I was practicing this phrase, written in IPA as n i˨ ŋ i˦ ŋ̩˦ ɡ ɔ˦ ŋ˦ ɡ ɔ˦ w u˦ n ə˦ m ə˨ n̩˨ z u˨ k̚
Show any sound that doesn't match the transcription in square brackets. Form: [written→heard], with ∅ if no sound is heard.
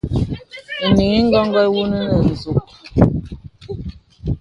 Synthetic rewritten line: n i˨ ŋ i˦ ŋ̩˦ ɡ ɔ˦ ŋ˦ ɡ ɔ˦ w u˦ n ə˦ [m→n] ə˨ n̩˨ z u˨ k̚